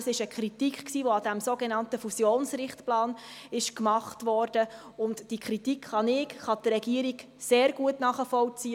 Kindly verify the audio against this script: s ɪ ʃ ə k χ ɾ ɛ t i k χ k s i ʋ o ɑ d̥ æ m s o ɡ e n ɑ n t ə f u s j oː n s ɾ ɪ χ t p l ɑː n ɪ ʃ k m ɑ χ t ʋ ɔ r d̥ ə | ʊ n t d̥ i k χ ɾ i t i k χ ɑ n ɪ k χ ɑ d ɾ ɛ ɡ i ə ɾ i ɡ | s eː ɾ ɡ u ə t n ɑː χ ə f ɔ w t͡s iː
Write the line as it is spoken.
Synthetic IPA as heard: s ɪ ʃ ə k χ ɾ i t i k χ k s iː ʋ o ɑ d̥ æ m s o ɡ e n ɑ n t ə f u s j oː n s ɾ ɪ χ t p l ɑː n ɪ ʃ k m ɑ χ t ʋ ɔ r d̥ ə | ʊ n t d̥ i k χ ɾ i t i k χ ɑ n ɪ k χ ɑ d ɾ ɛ ɡ i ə ɾ i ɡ | s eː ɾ ɡ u ə t n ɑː χ ə f ɔ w t͡s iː